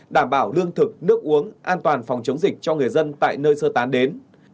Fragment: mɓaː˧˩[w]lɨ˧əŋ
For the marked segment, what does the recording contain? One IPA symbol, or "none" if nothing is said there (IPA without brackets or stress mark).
w